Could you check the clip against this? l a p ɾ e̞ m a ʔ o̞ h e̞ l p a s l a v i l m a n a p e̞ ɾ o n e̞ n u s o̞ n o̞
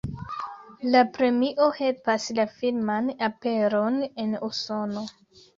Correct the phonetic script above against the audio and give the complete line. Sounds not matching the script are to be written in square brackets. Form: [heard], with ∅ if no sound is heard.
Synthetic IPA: l a p ɾ e̞ m [i] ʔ o̞ h e̞ l p a s l a [f] i l m a n a p e̞ ɾ o n e̞ n u s o̞ n o̞